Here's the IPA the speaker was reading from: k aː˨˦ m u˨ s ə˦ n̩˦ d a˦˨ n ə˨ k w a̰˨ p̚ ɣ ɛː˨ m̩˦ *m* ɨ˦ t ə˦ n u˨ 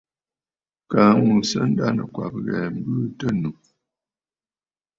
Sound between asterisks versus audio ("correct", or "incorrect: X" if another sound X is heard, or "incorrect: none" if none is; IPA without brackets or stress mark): incorrect: b